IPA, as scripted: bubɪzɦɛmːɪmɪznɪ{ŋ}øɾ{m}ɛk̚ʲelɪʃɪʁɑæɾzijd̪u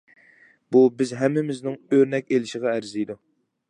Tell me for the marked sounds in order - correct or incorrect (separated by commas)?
correct, incorrect